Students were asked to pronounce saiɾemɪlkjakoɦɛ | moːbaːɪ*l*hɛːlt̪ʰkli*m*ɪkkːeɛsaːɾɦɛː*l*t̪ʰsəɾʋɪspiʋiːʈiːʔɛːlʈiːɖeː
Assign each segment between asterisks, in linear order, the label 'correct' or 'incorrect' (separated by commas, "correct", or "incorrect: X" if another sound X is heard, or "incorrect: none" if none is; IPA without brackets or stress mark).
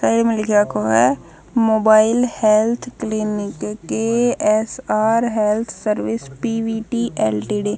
correct, incorrect: n, correct